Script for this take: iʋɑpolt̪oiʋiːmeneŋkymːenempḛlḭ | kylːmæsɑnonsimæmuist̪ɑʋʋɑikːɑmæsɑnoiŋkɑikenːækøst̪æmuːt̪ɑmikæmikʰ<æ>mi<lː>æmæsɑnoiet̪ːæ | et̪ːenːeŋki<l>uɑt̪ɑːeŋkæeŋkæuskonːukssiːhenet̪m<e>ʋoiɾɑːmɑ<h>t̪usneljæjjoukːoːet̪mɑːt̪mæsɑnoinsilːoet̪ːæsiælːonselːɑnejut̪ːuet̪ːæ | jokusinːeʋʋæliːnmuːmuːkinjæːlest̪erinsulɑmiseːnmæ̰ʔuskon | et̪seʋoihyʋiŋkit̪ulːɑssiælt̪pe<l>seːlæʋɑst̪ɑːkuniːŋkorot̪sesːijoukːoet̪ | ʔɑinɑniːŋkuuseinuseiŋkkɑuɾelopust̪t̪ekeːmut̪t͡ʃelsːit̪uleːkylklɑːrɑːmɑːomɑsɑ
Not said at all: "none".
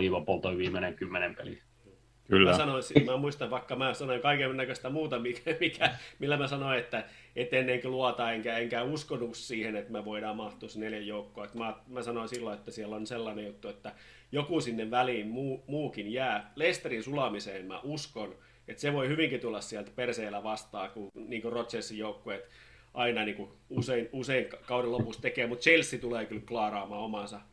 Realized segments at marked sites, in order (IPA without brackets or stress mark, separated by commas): æ, lː, l, æ, h, r